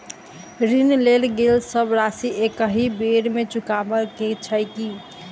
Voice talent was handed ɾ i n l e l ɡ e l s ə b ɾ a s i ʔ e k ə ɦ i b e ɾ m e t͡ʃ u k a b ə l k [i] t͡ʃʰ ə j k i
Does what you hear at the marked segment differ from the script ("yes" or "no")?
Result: yes